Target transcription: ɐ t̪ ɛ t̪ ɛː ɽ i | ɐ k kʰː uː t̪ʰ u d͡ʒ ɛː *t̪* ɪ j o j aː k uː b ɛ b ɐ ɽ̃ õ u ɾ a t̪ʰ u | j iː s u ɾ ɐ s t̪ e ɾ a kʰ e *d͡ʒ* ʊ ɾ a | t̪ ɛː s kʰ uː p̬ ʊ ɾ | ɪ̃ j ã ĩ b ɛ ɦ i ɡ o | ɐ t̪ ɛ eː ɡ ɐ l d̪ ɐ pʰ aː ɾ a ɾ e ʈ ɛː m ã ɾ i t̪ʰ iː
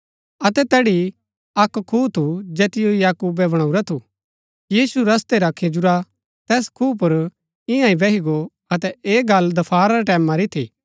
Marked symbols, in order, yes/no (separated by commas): yes, yes